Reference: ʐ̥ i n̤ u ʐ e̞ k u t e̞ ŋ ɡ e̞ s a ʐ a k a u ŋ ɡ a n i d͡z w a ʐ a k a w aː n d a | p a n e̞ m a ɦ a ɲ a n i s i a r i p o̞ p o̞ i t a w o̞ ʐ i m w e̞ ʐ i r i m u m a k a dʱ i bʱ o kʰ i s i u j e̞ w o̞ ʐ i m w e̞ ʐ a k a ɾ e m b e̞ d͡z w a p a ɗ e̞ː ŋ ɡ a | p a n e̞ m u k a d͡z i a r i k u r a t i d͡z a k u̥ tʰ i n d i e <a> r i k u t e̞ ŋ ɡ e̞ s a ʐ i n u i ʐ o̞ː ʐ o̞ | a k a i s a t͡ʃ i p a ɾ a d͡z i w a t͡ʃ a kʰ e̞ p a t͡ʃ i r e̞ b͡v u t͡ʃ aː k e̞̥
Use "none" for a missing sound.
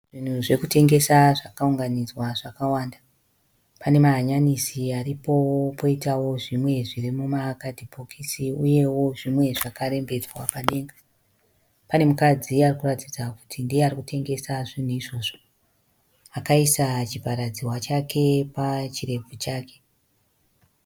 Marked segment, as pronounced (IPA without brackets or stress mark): a